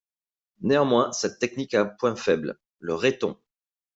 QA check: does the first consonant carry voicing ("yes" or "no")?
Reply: yes